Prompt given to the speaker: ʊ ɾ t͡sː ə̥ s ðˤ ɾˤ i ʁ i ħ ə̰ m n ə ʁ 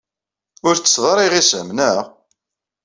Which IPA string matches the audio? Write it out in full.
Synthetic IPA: ʊ ɾ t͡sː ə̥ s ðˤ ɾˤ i ʁ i s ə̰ m n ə ʁ